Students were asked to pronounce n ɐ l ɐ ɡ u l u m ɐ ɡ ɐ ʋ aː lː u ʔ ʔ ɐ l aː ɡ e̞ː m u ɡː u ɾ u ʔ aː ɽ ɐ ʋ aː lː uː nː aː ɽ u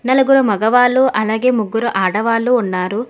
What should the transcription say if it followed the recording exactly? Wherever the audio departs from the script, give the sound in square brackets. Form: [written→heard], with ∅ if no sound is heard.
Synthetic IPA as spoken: n ɐ l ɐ ɡ u [l→ɾ] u m ɐ ɡ ɐ ʋ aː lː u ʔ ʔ ɐ l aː ɡ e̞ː m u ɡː u ɾ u ʔ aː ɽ ɐ ʋ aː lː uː nː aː [ɽ→ɾ] u